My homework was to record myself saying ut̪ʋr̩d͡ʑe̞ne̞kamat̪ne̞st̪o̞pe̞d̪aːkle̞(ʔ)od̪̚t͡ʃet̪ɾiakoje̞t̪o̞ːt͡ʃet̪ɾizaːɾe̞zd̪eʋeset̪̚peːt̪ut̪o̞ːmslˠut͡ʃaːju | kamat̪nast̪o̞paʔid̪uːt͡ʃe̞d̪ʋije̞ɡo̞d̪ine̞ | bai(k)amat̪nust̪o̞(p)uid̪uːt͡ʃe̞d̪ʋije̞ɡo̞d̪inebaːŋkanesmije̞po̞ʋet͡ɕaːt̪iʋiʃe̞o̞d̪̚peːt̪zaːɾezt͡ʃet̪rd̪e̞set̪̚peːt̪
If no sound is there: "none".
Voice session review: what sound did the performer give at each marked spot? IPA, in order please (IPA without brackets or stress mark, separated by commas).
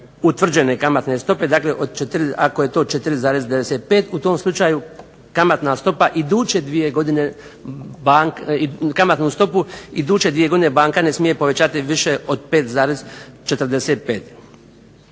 ʔ, k, p